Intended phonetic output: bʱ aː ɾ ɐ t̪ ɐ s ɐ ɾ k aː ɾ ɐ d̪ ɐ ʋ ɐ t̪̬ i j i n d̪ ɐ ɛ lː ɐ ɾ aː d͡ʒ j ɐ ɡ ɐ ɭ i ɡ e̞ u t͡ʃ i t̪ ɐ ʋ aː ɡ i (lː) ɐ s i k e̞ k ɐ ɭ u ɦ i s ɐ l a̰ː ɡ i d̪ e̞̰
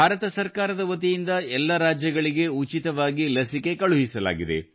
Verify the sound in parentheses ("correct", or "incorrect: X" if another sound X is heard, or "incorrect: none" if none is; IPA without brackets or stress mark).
incorrect: l